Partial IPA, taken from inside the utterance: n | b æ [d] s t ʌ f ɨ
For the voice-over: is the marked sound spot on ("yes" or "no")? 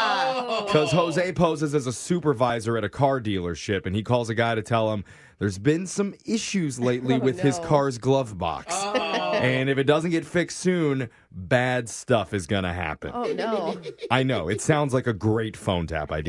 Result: yes